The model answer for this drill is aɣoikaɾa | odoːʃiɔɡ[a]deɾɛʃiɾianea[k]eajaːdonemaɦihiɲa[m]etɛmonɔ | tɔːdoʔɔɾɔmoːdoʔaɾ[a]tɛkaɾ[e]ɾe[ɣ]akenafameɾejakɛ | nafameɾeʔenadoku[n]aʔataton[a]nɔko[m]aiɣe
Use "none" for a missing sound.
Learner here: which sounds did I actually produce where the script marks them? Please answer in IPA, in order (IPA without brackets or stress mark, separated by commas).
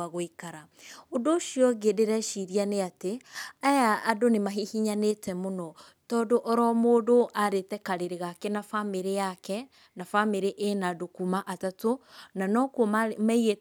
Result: e, t, n, e, e, ɣ, m, a, m